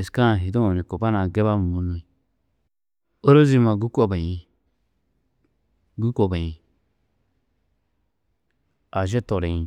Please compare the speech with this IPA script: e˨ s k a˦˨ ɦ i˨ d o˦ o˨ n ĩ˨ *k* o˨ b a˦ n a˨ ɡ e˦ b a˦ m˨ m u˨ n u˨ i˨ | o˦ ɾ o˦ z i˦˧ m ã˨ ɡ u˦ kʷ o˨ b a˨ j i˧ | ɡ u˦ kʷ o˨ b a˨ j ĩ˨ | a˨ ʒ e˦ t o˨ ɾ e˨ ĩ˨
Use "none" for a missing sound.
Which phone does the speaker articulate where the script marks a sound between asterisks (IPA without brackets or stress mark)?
k